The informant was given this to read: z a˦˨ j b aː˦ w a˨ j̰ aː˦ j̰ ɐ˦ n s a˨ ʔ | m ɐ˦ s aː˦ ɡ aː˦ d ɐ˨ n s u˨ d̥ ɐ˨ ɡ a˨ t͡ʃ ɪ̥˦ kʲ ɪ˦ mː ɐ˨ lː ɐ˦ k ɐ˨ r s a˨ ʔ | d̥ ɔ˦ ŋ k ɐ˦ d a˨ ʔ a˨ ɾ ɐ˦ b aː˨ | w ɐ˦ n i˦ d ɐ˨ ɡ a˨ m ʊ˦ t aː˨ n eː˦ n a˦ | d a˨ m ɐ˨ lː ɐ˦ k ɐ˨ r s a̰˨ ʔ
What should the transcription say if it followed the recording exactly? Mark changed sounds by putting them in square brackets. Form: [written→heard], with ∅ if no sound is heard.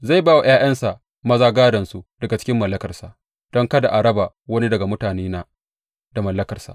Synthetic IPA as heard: z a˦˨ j b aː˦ w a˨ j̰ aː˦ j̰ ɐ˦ n s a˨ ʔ | m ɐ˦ [s→z] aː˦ ɡ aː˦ d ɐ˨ n s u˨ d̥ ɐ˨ ɡ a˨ t͡ʃ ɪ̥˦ kʲ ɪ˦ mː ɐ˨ lː ɐ˦ k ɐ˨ r s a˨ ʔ | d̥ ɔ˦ ŋ k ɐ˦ d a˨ ʔ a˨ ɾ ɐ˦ b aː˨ | w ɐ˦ n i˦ d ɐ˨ ɡ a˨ m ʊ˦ t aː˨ n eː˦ n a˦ | d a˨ m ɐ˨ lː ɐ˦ k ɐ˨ r s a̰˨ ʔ